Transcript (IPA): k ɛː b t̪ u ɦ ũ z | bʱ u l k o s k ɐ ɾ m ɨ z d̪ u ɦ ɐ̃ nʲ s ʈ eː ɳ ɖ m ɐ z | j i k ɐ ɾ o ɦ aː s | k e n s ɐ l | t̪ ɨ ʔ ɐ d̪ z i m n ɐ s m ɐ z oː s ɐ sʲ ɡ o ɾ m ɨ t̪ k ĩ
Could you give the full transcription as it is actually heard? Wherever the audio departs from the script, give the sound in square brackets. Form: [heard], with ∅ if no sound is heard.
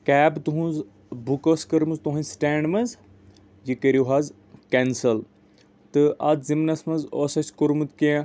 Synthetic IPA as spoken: k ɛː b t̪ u ɦ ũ z | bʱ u [∅] k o s k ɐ ɾ m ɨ z [t̪] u ɦ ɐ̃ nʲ s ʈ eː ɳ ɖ m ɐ z | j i k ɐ ɾ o ɦ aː [z] | k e n s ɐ l | t̪ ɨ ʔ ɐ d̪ z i m n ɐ s m ɐ z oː s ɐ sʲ [k] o ɾ m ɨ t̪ k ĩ